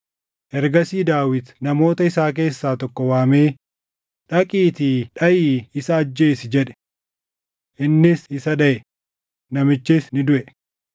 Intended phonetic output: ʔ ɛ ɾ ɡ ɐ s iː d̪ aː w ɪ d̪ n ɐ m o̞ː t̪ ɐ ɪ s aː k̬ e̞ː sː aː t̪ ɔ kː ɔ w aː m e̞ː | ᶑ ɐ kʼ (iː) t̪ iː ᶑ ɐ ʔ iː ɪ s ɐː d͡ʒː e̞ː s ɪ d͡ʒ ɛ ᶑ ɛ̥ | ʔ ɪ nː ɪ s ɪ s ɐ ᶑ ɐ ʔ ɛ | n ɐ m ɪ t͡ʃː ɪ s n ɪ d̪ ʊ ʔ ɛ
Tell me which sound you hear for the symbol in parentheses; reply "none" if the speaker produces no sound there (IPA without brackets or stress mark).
iː